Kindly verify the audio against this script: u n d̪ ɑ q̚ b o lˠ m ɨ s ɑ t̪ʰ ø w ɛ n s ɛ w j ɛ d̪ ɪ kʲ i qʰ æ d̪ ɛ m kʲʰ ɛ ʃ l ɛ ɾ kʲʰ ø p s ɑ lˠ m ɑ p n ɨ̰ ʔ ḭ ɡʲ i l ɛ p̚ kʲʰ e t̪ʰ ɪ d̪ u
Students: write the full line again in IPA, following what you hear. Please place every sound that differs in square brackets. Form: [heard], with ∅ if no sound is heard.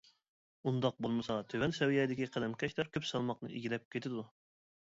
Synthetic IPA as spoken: u n d̪ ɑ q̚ b o lˠ m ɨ s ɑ t̪ʰ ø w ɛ n s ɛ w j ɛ d̪ ɪ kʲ i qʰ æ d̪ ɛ m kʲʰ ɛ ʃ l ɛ ɾ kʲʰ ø p s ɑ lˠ m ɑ [q] n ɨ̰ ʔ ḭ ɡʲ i l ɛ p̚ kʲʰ e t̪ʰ ɪ d̪ u